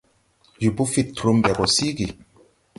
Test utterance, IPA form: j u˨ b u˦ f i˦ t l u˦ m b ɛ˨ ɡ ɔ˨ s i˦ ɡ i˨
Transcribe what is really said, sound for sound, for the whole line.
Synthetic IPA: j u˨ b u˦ f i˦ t ɾ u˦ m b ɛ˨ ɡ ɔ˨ s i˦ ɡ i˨